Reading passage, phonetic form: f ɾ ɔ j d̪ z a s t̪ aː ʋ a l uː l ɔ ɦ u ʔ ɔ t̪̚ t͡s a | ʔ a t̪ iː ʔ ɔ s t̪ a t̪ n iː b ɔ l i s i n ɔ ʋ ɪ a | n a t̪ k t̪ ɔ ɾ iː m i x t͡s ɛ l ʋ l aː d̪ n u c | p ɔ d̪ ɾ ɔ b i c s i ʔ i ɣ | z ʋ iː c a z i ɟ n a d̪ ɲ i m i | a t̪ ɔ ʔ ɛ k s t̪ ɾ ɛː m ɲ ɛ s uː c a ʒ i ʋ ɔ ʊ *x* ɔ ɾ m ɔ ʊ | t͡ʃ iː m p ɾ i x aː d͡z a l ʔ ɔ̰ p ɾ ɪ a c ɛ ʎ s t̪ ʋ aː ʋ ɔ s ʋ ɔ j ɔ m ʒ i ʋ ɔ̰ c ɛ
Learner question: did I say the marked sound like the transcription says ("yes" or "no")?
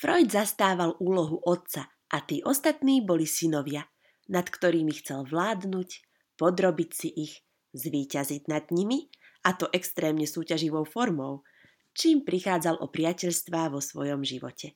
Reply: no